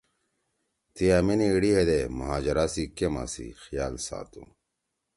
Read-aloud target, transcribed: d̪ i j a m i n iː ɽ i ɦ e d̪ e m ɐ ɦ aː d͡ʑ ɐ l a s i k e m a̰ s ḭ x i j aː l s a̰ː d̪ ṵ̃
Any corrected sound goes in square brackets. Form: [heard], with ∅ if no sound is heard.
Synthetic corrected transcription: [t̪] i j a m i n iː ɽ i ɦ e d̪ e m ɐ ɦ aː d͡ʑ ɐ [ɾ] a s i k e m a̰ s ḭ x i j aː l s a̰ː [t̪] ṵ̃